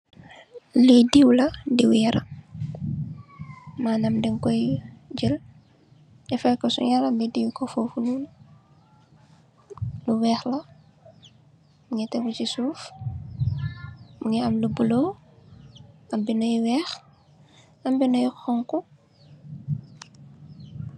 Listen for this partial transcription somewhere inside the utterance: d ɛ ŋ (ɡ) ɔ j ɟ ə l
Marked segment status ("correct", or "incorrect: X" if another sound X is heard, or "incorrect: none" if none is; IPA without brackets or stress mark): incorrect: k